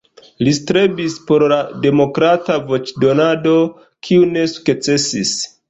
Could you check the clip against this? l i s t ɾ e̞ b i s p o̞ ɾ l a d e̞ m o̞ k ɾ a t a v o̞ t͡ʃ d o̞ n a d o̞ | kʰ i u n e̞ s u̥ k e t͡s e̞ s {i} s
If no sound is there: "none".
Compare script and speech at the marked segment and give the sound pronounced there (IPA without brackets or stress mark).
i